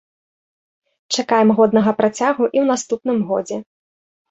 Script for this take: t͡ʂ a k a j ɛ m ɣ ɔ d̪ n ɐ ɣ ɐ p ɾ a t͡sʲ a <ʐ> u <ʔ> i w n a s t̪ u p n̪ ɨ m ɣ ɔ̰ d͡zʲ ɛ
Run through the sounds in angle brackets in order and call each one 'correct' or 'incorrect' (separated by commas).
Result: incorrect, correct